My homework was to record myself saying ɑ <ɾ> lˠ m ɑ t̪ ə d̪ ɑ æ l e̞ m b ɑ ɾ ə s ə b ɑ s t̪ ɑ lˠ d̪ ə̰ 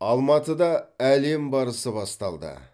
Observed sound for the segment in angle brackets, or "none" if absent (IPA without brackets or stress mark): none